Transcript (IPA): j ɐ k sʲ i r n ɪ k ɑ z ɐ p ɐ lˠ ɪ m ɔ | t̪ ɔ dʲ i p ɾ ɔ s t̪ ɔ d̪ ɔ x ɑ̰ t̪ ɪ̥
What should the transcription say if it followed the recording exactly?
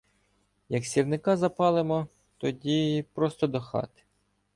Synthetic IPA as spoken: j ɐ k sʲ i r n ɪ k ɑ z ɐ p ɑ lˠ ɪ m ɔ | t̪ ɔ dʲ i p ɾ ɔ s t̪ ɔ d̪ ɔ x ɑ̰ t̪ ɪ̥